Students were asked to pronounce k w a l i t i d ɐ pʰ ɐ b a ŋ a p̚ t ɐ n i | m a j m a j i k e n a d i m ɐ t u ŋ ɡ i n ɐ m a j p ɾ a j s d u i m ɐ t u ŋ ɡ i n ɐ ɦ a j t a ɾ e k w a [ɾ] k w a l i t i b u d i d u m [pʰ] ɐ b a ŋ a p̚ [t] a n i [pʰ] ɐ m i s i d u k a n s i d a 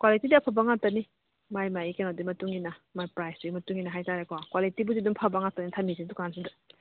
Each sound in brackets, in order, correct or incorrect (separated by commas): incorrect, correct, correct, incorrect